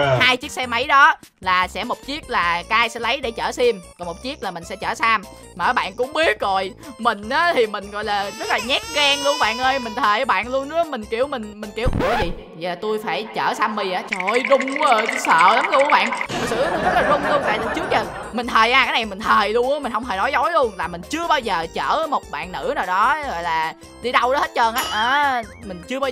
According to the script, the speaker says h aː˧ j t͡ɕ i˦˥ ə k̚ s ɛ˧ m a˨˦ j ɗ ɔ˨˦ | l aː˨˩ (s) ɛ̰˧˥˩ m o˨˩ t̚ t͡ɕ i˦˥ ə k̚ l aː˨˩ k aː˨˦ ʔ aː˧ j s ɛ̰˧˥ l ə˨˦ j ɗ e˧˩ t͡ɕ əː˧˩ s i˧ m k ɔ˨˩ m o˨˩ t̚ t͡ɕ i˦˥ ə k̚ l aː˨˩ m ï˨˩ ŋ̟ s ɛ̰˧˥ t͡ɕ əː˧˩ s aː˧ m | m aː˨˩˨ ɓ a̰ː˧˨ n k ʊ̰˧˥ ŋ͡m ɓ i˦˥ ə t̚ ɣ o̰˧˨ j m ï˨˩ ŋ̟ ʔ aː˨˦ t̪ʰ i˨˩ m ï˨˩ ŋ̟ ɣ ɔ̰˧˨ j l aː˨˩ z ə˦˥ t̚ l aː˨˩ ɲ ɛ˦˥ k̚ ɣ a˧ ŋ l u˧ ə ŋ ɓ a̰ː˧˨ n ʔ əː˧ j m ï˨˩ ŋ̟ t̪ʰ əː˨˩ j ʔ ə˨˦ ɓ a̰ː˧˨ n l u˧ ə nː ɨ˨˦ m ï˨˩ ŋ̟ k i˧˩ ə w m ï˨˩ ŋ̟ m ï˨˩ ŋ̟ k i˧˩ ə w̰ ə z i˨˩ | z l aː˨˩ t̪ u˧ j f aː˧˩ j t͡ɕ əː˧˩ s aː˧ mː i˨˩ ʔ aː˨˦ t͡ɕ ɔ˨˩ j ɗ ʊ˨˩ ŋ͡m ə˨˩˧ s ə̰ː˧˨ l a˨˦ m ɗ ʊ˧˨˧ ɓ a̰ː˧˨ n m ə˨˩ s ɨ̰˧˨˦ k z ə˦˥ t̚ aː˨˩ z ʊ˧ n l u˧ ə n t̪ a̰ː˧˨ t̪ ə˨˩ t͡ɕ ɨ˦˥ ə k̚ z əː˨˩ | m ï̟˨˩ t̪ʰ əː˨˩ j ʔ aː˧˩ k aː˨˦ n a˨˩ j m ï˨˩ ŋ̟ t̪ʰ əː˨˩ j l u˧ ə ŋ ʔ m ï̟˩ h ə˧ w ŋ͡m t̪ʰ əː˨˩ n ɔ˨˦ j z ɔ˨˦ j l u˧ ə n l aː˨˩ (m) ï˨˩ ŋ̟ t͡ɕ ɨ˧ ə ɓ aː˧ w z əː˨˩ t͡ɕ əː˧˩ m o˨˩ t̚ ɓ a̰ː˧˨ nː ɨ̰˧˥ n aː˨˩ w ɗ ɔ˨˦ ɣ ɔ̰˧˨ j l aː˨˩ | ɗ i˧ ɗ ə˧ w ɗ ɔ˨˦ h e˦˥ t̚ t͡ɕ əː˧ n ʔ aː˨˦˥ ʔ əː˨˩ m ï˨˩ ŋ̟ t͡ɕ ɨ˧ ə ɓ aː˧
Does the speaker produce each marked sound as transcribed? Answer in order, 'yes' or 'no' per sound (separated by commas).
yes, yes